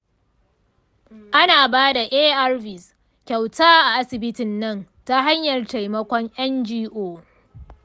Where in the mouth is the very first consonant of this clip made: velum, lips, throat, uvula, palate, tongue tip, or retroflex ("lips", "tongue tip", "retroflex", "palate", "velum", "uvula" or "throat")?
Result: throat